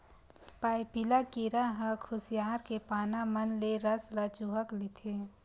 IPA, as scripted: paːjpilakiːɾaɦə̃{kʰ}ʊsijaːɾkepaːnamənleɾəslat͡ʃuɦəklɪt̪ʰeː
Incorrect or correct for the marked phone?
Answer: correct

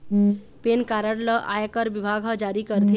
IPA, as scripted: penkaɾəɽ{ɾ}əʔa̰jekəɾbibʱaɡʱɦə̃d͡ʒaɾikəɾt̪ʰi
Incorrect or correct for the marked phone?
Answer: incorrect: l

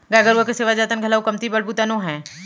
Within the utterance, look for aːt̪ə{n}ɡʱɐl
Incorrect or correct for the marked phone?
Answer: correct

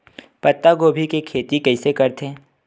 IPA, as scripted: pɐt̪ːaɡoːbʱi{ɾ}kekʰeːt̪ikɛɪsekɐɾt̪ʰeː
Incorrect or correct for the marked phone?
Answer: incorrect: none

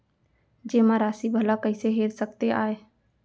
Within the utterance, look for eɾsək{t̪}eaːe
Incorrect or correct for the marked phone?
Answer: correct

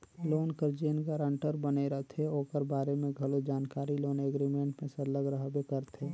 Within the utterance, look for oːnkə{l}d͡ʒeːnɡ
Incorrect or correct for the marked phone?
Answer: incorrect: ɾ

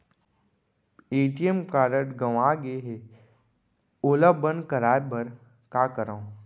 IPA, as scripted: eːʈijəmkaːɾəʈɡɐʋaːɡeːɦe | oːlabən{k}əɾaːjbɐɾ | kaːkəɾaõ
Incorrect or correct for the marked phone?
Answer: correct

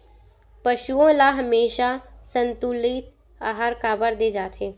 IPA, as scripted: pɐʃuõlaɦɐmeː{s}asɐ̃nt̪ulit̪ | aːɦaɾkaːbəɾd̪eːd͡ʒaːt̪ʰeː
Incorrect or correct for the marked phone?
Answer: incorrect: ʃ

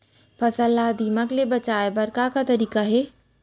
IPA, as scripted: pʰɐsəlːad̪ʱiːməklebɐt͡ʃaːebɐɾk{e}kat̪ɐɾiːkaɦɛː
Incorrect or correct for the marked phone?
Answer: incorrect: a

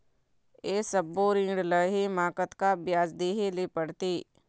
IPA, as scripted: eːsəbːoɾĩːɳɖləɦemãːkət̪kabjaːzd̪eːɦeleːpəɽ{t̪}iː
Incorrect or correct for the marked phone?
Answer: correct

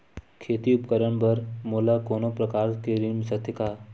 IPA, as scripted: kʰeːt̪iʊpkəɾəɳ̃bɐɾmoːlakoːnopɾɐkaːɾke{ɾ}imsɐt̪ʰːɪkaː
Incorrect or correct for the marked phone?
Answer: correct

